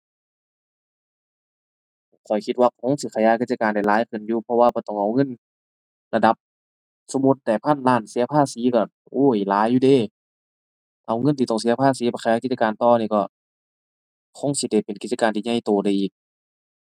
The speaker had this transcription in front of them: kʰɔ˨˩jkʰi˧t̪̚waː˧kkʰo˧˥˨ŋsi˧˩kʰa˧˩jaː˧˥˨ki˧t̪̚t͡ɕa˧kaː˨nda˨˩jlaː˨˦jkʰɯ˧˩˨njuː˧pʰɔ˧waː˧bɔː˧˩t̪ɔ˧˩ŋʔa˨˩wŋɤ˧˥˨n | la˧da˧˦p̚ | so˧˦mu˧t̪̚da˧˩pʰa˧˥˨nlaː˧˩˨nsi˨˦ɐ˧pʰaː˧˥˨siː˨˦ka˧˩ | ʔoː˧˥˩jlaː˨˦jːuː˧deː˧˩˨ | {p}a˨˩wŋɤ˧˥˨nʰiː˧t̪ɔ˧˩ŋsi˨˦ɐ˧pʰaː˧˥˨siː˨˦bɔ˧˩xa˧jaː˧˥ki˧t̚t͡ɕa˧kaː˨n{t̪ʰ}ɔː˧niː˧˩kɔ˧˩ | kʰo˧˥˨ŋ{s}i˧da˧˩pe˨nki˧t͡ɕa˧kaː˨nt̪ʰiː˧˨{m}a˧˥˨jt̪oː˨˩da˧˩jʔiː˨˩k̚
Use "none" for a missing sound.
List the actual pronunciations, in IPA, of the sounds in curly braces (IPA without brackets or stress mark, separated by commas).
ʔ, t̪, s, ɲ